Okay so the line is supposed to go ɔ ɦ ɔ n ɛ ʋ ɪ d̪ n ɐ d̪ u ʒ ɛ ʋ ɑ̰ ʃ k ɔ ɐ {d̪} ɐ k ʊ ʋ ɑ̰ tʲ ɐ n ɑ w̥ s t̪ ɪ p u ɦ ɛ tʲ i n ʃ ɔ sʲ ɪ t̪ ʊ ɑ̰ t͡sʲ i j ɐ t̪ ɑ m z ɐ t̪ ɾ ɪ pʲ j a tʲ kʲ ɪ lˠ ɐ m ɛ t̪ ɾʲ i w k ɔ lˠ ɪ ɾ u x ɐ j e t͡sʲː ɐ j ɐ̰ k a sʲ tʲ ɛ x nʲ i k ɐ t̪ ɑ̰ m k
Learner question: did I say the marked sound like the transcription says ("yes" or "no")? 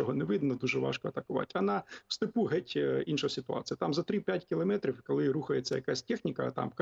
no